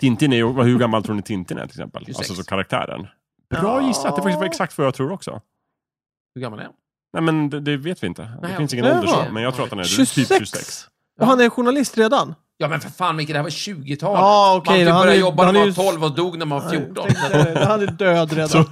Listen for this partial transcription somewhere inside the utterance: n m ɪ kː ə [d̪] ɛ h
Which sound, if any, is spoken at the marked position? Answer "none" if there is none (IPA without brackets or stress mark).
d̪